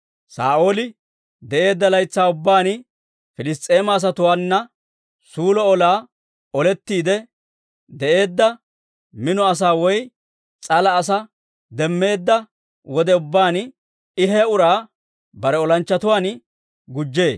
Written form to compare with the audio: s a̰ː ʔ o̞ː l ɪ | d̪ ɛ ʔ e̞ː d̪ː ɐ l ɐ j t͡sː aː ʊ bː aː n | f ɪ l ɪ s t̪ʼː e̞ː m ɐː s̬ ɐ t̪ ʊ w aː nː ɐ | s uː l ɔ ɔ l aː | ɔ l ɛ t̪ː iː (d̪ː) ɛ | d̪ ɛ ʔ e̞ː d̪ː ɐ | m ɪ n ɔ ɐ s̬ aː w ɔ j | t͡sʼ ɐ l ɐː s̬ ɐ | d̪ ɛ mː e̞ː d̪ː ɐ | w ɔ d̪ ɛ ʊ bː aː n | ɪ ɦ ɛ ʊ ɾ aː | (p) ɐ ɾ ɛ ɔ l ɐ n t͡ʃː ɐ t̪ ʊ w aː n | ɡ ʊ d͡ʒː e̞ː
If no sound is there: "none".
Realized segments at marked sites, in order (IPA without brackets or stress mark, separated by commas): d̪, b